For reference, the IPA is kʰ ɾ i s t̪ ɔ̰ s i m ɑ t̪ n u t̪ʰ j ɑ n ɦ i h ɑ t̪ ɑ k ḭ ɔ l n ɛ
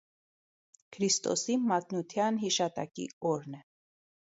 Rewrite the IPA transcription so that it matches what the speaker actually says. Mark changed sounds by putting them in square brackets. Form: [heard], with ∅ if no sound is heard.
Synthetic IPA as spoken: kʰ ɾ i s t̪ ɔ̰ s i m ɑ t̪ n u t̪ʰ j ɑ n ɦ i [ʃ] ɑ t̪ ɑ k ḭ ɔ [ɾ] n ɛ